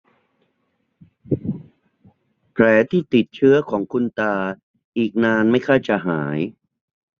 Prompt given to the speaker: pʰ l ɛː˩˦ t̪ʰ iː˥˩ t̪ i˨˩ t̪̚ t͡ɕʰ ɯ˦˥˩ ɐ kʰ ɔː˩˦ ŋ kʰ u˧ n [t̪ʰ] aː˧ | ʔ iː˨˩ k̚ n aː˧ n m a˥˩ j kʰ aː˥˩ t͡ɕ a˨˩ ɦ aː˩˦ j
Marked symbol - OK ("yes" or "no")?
no